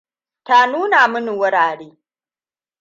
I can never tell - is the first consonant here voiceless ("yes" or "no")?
yes